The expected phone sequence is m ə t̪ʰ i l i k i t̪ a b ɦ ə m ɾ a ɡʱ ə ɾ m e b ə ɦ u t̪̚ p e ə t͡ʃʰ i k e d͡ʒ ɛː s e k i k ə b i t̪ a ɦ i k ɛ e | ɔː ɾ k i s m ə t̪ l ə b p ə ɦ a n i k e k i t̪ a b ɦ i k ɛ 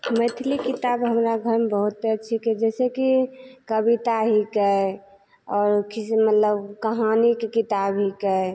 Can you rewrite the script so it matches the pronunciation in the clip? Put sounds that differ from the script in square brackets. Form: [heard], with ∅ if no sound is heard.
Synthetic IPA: m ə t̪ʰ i l i k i t̪ a b ɦ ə m ɾ a ɡʱ ə ɾ m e b ə ɦ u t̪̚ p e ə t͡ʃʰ i k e d͡ʒ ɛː s e k i k ə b i t̪ a ɦ i k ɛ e | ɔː ɾ k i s m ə t̪ l ə b [k] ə ɦ a n i k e k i t̪ a b ɦ i k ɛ